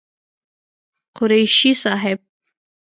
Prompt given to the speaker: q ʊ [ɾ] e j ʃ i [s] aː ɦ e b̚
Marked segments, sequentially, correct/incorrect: correct, correct

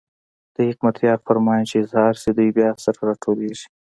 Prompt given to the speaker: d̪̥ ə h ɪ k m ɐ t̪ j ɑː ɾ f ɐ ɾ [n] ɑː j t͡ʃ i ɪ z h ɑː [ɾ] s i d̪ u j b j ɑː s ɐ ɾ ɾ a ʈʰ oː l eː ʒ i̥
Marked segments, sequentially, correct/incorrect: incorrect: m, correct

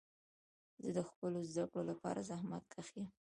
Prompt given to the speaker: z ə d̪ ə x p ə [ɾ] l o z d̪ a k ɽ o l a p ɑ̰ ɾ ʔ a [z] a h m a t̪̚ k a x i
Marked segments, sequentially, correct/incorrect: incorrect: none, correct

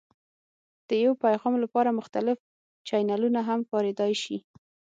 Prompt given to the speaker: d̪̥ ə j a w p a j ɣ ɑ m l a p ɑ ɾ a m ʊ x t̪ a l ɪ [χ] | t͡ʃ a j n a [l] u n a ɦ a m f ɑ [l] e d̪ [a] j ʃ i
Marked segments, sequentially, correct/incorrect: incorrect: f, correct, incorrect: ɾ, incorrect: ɑ

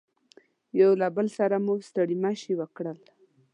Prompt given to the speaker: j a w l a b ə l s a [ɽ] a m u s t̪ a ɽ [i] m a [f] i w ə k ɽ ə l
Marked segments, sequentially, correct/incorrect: incorrect: ɾ, correct, incorrect: ʃ

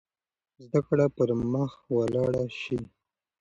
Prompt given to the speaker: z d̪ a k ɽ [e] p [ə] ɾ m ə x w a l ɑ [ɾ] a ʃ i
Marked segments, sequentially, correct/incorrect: incorrect: a, correct, incorrect: ɽ

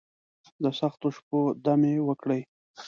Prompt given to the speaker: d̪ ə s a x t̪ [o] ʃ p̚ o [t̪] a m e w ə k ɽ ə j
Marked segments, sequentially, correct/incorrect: correct, incorrect: d̪

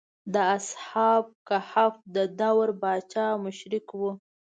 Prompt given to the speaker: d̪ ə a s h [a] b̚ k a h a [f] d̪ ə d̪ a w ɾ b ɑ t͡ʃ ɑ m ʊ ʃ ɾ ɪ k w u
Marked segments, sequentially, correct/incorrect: incorrect: ɑ, correct

